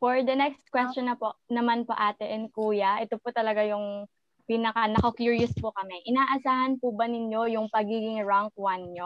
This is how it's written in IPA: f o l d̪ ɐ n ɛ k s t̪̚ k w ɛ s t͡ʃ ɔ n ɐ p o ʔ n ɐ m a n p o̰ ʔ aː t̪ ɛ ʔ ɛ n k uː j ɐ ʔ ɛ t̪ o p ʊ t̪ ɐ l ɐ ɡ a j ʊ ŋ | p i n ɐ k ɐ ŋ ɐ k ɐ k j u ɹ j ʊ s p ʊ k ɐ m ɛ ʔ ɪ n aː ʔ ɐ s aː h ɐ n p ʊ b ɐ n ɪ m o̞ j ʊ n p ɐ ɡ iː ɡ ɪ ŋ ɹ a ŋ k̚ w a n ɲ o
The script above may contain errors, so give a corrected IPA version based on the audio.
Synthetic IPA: f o ɹ d̪ ɐ n ɛ k s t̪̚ k w ɛ s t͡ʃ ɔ n ɐ p o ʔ n ɐ m a n p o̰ ʔ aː t̪ ɛ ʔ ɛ n k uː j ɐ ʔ ɛ t̪ o p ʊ t̪ ɐ l ɐ ɡ a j ʊ ŋ | p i n ɐ k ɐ n ɐ k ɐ k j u ɹ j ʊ s p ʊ k ɐ m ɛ ʔ ɪ n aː ʔ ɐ s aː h ɐ n p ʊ b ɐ n ɪ ɲ o̞ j ʊ ŋ p ɐ ɡ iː ɡ ɪ ŋ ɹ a ŋ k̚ w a n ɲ o